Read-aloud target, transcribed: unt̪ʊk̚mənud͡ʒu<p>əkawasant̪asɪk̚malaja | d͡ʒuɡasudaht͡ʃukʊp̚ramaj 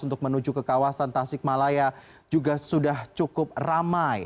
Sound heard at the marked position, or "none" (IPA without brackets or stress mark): k